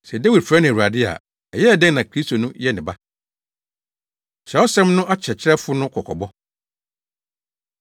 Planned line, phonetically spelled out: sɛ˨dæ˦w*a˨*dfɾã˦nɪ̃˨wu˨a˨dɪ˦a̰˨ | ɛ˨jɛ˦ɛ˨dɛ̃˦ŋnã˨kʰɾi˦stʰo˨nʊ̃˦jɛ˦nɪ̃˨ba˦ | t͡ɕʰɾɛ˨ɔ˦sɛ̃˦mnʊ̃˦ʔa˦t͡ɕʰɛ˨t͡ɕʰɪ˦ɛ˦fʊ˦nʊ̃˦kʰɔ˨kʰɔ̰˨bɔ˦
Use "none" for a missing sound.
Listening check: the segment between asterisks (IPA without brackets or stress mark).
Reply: i˨